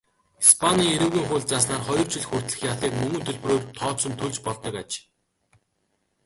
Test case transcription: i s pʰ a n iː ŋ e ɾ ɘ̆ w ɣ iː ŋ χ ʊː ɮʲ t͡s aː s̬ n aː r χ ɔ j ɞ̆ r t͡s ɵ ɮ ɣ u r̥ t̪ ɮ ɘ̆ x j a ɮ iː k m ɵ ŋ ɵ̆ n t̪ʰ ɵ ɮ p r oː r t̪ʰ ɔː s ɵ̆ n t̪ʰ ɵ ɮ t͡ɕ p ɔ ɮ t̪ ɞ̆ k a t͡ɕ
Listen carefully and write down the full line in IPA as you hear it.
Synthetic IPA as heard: i s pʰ a n iː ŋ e ɾ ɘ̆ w ɣ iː ŋ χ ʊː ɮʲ t͡s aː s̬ n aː r χ ɔ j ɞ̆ r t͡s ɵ ɮ x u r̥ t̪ ɮ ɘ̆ x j a ɮ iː k m ɵ ŋ ɵ̆ n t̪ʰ ɵ ɮ p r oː r t̪ʰ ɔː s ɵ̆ n t̪ʰ ɵ ɮ t͡ɕ p ɔ ɮ t̪ ɞ̆ k a t͡ɕ

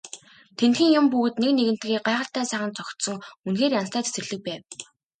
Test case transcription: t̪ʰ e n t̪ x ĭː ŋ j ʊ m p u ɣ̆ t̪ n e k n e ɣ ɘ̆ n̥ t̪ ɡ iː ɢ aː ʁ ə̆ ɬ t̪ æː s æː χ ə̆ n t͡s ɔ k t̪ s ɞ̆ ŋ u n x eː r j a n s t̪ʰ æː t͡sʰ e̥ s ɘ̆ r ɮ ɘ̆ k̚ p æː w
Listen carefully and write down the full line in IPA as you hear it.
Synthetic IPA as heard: t̪ʰ e n t̪ x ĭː ŋ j ʊ m p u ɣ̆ t̪ n e k n e ɣ ɘ̆ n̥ t̪ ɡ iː ɢ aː ʁ ə̆ ɬ t̪ æː s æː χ ə̆ n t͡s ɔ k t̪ s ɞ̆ ŋ u n x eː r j a n s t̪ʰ æː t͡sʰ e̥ s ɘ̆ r ɮ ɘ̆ k̚ p æː w

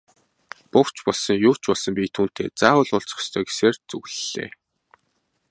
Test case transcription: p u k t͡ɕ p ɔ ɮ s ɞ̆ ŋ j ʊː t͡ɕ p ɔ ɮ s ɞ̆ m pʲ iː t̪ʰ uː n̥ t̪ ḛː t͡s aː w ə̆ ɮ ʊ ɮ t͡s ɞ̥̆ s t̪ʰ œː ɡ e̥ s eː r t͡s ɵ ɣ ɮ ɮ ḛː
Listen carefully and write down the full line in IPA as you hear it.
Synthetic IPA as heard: p ʊ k t͡ɕ p ɔ ɮ s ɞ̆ ŋ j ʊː t͡ɕ p ɔ ɮ s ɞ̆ m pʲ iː t̪ʰ uː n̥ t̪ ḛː t͡s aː w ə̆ ɮ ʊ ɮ t͡s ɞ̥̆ s t̪ʰ œː ɡ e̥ s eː r t͡s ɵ ɣ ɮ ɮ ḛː

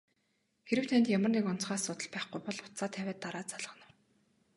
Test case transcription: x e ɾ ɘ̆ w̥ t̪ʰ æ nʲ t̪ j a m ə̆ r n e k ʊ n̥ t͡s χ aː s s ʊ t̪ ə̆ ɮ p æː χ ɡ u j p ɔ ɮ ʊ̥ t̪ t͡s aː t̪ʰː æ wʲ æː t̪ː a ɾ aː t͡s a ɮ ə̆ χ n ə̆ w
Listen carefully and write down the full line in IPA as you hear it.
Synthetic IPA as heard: x e ɾ ɘ̆ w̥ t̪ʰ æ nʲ t̪ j a m ə̆ r n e k ʊ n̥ t͡s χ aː s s ʊ t̪ ə̆ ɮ p æː χ ɡ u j p ɔ ɮ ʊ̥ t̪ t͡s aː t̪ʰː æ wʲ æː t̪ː a ɾ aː t͡s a ɮ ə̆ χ n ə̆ w

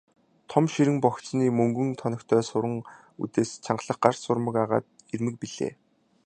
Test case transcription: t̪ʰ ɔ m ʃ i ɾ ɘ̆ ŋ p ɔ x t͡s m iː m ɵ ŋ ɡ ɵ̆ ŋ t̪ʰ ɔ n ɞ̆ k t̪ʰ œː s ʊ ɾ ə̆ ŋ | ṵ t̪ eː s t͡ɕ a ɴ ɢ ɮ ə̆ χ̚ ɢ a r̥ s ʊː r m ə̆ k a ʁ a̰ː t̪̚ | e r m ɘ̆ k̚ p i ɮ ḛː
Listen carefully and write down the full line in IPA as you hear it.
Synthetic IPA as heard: t̪ʰ ɔ m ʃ i ɾ ɘ̆ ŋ p ɔ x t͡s n iː m ɵ ŋ ɡ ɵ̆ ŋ t̪ʰ ɔ n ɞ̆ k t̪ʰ œː s ʊ ɾ ə̆ ŋ | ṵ t̪ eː s t͡ɕʰ a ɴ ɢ ɮ ə̆ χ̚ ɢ a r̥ s ʊ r m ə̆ k a ʁ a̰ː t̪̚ | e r m ɘ̆ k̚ p i ɮ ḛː

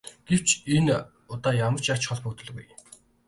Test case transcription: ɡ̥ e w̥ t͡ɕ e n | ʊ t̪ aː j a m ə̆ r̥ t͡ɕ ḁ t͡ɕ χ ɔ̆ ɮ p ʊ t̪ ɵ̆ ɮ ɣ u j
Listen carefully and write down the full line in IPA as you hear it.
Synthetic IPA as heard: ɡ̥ e w̥ t͡ɕ e n | ʊ t̪ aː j a m ə̆ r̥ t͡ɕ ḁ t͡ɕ χ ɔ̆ ɮ p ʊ t̪ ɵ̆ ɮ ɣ u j

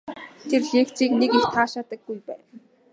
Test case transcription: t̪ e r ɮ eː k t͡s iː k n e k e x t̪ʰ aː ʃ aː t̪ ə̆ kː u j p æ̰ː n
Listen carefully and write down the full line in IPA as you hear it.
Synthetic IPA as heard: t̪ʰ e r ɮ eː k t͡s iː k n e k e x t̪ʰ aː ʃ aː t̪ ə̆ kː u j p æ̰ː n

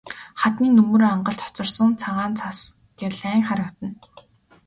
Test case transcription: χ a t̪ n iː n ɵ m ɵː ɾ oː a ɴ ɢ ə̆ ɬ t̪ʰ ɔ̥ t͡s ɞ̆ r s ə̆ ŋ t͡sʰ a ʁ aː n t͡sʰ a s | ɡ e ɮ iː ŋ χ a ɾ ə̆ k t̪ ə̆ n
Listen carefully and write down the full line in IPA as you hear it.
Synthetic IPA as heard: χ a t̪ n iː n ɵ m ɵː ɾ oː a ɴ ɢ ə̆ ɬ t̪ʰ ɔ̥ t͡s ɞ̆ r s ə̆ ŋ t͡sʰ a ʁ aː n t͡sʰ a s | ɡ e ɮ æː ŋ χ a ɾ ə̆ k t̪ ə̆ n

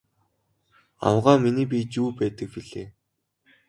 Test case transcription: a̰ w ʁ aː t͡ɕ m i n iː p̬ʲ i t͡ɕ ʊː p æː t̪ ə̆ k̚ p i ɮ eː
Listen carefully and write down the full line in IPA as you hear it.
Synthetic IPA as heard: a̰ w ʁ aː m i n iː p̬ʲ i t͡ɕ uː p æː t̪ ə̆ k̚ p i ɮ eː

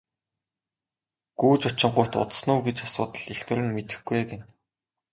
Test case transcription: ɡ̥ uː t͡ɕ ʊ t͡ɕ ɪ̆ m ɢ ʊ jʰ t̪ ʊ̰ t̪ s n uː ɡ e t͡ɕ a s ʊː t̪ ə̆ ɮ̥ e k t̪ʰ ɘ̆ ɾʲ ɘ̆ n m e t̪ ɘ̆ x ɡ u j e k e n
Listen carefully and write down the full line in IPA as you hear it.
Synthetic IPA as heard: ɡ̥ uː t͡ɕ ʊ t͡ɕ ɪ̆ ɴ ɢ ʊ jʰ t̪ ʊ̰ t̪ s n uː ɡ e t͡ɕ a s ʊː t̪ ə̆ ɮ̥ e x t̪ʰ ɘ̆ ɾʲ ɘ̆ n m e t̪ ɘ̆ x ɡ u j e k e n

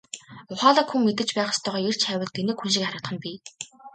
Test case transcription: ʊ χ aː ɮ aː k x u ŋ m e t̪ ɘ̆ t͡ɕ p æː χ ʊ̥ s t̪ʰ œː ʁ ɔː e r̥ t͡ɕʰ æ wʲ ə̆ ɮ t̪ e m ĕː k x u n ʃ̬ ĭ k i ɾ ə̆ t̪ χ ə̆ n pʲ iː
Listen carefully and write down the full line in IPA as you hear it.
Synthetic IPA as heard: ʊ χ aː ɮ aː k x u ŋ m e t̪ ɘ̆ t͡ɕ p æː χ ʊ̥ s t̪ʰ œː ʁ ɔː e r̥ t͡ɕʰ æ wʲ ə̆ ɮ t̪ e n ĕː k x u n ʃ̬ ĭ k a ɾ ə̆ t̪ χ ə̆ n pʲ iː

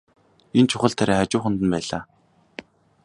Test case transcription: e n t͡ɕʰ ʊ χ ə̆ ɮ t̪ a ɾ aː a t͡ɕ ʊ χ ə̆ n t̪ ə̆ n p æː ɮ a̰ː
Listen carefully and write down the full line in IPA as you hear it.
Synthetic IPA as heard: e n t͡ɕʰ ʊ χ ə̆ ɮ t̪ʰ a ɾ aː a t͡ɕ ʊː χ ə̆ n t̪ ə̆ n p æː ɮ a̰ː

